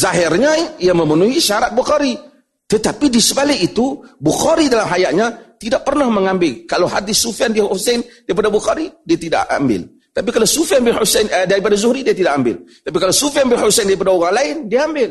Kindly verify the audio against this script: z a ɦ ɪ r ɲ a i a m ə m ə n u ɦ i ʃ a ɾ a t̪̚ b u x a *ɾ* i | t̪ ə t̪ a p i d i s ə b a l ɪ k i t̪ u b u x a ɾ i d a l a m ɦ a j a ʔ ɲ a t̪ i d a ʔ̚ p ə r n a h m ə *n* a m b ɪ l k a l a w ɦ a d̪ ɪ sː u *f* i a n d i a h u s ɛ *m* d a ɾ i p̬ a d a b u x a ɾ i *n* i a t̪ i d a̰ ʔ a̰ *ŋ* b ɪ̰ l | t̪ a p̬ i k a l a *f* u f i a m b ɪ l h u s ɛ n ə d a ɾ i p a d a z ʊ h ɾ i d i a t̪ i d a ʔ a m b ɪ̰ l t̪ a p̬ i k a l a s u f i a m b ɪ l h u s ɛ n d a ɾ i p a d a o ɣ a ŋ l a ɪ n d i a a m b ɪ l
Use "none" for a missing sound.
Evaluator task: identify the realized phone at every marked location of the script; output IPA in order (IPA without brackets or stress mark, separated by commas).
ɾ, ŋ, f, n, d, m, s